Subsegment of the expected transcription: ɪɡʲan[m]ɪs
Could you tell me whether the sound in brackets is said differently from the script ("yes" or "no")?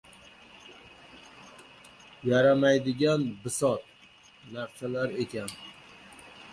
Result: yes